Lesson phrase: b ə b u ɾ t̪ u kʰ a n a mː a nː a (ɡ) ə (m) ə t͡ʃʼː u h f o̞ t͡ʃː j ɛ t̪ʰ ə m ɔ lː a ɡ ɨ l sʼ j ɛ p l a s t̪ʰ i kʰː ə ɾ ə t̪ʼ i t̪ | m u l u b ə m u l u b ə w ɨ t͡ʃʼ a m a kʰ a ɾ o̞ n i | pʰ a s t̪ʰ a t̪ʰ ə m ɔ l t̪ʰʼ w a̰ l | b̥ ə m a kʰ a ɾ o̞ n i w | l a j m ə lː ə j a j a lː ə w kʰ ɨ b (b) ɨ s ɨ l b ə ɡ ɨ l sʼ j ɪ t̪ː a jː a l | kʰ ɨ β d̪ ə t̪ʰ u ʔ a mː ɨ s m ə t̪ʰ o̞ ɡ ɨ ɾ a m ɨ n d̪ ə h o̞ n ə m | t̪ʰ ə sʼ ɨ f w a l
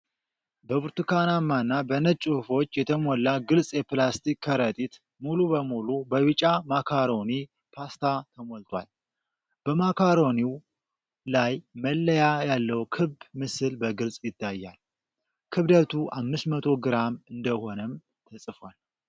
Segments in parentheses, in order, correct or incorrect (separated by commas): incorrect, incorrect, incorrect